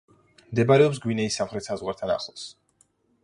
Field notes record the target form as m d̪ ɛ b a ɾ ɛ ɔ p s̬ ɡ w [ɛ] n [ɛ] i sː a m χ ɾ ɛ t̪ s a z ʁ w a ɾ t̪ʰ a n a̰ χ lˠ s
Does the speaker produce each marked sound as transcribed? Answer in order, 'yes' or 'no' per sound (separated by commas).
no, yes